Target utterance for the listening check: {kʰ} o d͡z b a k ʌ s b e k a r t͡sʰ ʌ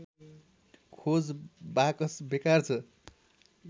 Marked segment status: correct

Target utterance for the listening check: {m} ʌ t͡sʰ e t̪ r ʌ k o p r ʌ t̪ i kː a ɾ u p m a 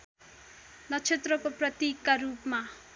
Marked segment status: incorrect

